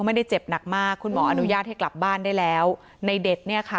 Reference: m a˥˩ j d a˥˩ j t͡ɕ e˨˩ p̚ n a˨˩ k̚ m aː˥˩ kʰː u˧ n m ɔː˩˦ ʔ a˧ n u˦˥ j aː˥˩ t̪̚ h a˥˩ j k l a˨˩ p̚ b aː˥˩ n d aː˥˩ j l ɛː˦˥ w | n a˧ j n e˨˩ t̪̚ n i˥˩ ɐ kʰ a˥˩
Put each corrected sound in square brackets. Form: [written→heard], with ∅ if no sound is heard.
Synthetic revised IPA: m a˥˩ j d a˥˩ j t͡ɕ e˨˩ p̚ n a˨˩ k̚ m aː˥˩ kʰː u˧ n m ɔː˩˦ ʔ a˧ n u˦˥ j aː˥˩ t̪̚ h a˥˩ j k l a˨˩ p̚ b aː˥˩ n d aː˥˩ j l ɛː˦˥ w | n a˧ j [n→d] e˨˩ t̪̚ n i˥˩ ɐ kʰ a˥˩